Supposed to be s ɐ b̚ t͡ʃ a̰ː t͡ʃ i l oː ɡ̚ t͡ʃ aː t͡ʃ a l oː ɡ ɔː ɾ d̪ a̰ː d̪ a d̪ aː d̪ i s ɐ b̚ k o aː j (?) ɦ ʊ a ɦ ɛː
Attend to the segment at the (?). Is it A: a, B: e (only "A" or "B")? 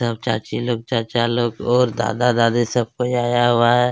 A